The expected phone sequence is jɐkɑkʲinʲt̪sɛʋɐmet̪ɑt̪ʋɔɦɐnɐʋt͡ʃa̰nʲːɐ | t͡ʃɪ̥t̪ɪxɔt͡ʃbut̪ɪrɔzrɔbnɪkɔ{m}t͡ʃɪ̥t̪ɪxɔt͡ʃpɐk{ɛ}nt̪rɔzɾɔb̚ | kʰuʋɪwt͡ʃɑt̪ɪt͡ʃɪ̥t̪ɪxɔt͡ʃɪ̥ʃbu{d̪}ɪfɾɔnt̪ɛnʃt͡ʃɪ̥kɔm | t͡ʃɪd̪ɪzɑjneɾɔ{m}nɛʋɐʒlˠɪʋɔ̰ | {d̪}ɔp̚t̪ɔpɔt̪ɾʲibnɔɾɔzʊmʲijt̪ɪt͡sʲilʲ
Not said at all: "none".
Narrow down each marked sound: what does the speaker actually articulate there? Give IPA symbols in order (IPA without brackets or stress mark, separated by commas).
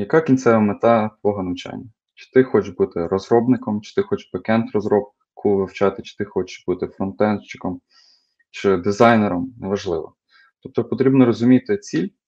m, ɛ, t̪, m, t̪